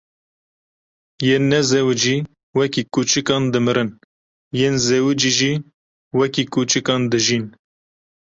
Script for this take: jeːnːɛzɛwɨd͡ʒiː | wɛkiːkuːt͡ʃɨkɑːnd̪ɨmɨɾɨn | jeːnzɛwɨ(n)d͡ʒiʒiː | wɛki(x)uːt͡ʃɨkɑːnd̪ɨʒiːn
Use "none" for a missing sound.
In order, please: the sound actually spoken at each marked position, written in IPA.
none, k

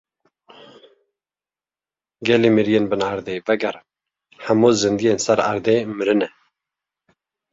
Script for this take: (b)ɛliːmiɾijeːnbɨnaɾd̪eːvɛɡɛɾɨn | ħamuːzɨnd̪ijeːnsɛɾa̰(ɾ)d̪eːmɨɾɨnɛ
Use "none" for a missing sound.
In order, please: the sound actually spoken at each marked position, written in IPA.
ɡ, ɾ

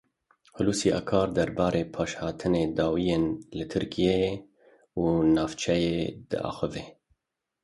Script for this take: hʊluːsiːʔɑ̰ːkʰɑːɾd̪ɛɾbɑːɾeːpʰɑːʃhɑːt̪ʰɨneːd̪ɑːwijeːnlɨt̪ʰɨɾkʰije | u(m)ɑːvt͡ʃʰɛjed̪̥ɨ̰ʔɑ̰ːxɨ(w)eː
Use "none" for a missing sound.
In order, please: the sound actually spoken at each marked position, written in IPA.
n, v

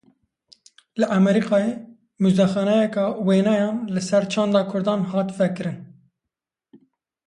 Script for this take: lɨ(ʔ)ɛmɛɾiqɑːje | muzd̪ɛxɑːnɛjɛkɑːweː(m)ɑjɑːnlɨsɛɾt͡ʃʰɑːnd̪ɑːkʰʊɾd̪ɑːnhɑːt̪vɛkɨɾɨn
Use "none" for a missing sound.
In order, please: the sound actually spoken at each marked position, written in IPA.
ʔ, n

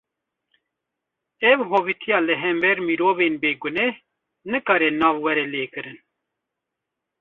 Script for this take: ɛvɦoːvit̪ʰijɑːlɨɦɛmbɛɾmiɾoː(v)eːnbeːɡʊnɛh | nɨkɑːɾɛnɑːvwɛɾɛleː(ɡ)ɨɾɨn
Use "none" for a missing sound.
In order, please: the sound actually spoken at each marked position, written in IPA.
v, k

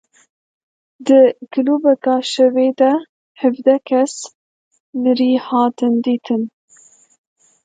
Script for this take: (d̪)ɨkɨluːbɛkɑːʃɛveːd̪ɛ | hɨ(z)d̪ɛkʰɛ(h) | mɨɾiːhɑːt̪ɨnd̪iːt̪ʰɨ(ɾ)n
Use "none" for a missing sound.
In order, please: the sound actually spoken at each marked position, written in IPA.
d̪, v, s, none

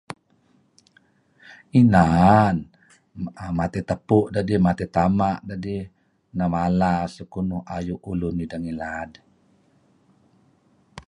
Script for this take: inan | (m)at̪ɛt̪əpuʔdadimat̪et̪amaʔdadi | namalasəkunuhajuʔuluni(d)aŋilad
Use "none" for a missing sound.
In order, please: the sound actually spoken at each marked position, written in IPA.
m, d

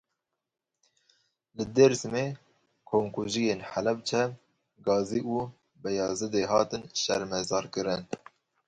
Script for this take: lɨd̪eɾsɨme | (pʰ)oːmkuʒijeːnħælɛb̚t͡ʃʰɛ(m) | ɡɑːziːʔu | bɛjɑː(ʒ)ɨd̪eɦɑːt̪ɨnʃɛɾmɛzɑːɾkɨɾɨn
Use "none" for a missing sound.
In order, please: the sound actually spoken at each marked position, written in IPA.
kʰ, m, z

